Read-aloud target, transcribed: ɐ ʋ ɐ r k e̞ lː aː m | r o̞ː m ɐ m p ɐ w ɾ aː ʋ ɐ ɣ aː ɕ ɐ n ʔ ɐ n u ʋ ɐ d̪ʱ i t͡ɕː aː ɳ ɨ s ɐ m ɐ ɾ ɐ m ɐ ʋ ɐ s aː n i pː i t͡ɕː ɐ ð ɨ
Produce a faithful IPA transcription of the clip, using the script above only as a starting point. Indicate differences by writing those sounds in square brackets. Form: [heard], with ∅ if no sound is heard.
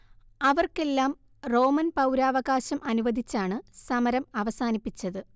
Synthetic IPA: ɐ ʋ ɐ r k e̞ lː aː m | r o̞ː m ɐ [n] p ɐ w ɾ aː ʋ ɐ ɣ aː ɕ ɐ [m] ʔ ɐ n u ʋ ɐ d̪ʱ i t͡ɕː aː ɳ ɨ s ɐ m ɐ ɾ ɐ m ɐ ʋ ɐ s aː n i pː i t͡ɕː ɐ ð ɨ